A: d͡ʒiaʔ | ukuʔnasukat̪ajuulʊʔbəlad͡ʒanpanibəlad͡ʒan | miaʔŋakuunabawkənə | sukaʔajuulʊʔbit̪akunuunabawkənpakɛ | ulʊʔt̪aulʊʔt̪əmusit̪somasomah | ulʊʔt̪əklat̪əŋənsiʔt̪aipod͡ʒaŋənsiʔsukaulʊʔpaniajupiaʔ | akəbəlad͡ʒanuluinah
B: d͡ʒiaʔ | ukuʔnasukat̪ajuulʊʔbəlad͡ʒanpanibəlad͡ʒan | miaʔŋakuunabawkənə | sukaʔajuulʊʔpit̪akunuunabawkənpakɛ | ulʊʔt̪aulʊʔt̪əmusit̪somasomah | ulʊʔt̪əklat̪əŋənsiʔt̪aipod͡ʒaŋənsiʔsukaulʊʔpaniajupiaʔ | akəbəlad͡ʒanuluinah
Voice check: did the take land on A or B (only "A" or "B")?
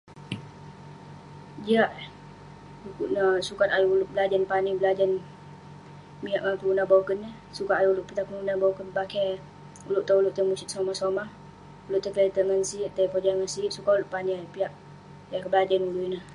B